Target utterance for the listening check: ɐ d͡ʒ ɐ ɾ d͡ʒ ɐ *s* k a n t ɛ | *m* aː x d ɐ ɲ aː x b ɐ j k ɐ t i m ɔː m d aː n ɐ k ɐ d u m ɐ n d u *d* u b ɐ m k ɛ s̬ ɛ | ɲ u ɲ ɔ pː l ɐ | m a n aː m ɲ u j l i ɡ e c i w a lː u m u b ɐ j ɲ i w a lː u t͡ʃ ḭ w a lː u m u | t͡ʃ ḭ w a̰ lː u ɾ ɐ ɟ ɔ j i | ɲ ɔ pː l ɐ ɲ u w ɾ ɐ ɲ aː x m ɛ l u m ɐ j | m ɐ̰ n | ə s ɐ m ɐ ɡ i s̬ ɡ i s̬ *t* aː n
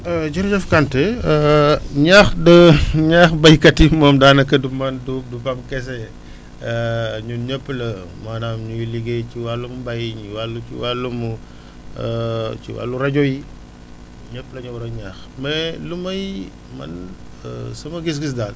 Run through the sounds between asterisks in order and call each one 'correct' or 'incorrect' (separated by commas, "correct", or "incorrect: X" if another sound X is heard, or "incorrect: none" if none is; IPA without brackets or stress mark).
incorrect: f, incorrect: ɲ, correct, incorrect: d